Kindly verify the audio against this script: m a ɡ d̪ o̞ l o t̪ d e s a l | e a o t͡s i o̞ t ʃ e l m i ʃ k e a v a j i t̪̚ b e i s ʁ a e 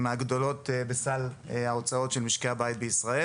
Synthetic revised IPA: m a ɡ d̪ o̞ l o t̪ b e s a l | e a o t͡s a o̞ t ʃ e l m i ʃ k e a b a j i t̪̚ b e i s ʁ a e

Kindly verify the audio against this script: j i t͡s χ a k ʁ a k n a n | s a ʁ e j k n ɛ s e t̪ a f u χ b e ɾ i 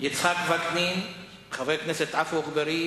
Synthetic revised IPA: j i t͡s χ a k v a k n i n | χ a v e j k n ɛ s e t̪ a f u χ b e ɾ i

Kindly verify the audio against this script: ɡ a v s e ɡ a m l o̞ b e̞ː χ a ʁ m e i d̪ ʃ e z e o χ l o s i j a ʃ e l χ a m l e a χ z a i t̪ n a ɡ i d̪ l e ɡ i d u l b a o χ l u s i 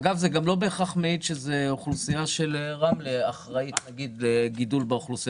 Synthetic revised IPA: ɡ a v z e ɡ a m l o̞ b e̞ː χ a χ m e i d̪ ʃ e z e o χ l u s i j a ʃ e l ʁ a m l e a χ ʁ a i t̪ n a ɡ i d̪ l e ɡ i d u l b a o χ l u s i

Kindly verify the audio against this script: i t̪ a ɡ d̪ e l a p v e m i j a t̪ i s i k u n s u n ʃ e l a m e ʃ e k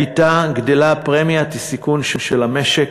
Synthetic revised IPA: i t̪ a ɡ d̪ e l a p ʁ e m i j a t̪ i s i k u n ʃ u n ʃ e l a m e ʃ e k

